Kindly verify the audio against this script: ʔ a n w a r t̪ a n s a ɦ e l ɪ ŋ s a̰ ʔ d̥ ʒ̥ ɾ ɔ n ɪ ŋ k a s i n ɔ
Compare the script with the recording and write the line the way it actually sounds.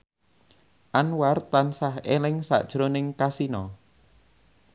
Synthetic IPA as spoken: ʔ a n w a r t̪ a n s a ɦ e l ɪ ŋ s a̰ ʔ d̥ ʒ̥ ɾ o n ɪ ŋ k a s i n ɔ